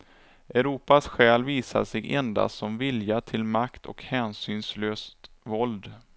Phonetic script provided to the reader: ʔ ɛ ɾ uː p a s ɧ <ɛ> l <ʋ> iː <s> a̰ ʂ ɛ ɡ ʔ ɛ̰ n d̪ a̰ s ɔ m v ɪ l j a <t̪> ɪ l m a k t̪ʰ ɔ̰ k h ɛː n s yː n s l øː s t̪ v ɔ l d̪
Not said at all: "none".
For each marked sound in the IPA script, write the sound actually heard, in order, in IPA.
ɛː, v, s, t̪ʰ

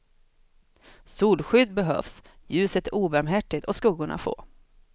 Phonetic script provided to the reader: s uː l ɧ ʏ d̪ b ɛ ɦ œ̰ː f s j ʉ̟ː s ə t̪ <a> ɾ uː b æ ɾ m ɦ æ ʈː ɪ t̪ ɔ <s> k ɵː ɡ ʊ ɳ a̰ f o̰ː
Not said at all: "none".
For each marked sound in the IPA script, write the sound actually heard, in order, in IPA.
æ, s

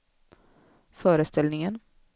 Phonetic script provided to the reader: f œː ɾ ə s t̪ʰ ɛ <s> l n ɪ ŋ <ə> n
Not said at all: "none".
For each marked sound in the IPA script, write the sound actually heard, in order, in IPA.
none, ə

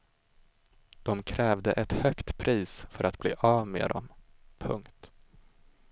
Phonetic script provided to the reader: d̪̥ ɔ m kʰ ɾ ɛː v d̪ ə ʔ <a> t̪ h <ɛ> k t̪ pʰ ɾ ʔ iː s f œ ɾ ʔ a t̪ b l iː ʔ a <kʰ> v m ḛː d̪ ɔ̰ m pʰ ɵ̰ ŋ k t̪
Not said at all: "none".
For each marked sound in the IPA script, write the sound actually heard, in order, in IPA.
ɛ, œ, none

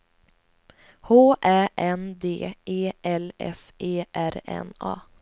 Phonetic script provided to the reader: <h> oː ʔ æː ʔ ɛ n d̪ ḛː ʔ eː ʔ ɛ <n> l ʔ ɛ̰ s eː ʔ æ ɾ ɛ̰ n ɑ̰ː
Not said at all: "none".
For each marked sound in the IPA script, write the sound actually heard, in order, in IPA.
h, none

